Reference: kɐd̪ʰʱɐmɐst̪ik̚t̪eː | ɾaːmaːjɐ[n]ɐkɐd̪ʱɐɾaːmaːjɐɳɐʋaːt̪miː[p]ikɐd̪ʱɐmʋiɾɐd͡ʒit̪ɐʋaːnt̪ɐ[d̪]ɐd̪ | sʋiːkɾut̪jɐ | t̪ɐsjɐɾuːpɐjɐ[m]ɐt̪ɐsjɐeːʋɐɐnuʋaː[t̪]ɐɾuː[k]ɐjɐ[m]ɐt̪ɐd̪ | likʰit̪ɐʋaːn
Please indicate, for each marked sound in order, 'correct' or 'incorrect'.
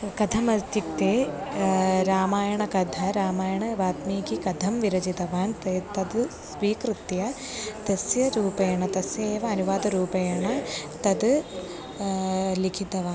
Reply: incorrect, incorrect, incorrect, incorrect, incorrect, incorrect, incorrect

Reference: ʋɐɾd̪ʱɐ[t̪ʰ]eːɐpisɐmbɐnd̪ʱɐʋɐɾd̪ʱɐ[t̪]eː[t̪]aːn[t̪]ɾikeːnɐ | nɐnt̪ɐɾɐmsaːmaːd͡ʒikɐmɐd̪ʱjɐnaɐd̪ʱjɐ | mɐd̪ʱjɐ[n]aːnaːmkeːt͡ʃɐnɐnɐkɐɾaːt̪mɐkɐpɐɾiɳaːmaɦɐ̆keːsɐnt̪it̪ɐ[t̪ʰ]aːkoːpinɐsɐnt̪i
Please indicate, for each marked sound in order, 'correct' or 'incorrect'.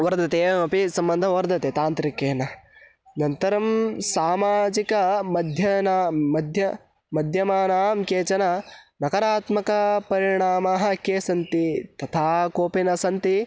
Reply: incorrect, correct, correct, correct, incorrect, correct

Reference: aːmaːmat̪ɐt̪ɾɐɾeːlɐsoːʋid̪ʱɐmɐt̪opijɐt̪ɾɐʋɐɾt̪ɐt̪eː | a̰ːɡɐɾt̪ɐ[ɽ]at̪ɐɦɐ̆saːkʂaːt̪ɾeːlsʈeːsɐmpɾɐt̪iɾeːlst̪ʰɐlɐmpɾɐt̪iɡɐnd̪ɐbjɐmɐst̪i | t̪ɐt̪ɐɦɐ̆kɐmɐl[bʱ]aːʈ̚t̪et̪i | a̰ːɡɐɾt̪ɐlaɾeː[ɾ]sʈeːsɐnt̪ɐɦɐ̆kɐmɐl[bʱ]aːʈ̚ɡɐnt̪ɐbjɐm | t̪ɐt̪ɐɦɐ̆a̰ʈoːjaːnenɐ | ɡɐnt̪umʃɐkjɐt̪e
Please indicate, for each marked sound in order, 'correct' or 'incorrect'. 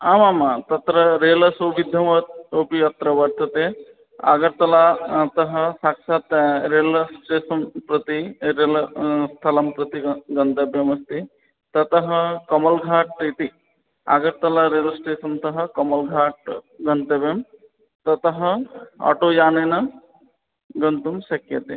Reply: incorrect, incorrect, incorrect, incorrect

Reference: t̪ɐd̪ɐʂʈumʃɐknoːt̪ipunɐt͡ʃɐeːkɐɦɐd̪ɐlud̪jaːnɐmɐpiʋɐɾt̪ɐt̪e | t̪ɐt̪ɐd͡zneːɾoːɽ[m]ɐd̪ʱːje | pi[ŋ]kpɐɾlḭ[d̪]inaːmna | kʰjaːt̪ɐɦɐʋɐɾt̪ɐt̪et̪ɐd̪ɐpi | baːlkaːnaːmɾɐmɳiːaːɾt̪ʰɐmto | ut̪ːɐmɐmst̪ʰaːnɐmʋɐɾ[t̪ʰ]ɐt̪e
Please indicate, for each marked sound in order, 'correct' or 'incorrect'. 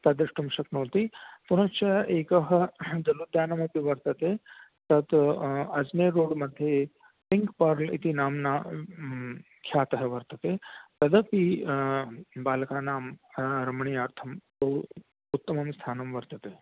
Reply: correct, correct, incorrect, incorrect

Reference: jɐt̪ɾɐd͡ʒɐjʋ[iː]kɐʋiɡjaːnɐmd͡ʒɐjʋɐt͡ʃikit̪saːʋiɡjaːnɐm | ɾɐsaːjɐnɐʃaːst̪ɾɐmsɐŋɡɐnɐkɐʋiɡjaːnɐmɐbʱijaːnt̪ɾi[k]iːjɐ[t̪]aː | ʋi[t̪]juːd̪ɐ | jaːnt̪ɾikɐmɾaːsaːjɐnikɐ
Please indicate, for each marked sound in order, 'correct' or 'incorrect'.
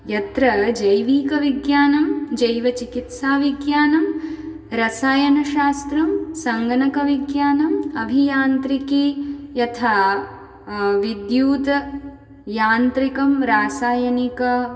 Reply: correct, correct, incorrect, incorrect

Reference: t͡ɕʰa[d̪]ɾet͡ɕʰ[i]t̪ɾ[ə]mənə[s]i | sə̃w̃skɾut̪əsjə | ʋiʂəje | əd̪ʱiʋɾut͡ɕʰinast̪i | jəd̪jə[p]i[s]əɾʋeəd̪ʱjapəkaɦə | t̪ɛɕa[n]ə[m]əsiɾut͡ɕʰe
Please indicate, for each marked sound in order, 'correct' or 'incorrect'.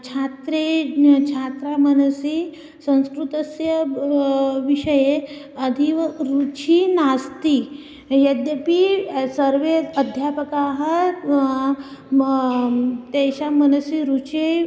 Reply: incorrect, incorrect, incorrect, correct, correct, correct, incorrect, incorrect

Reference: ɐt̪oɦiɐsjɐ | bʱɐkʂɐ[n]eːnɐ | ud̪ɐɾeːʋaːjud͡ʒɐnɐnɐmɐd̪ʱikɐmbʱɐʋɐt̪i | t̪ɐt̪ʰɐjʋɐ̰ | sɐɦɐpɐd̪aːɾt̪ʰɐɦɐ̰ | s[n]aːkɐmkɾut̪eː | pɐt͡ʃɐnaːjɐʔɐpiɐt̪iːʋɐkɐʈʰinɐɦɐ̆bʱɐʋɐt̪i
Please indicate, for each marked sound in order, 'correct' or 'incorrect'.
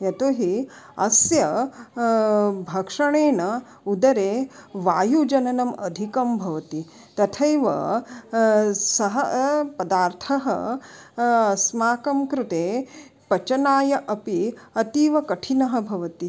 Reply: incorrect, incorrect

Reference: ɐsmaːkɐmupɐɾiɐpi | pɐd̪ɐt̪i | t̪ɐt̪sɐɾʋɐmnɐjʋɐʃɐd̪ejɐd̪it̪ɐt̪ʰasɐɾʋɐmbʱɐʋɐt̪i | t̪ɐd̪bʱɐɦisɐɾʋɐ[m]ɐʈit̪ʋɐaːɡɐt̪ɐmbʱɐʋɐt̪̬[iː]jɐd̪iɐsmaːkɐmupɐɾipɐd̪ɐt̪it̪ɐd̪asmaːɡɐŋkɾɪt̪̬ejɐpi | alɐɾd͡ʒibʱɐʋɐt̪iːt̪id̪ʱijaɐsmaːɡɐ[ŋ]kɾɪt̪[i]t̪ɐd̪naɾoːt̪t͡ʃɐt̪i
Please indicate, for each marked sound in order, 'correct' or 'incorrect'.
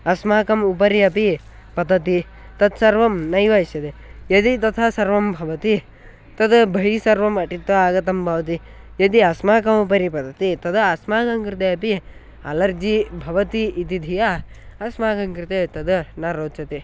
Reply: correct, incorrect, correct, incorrect

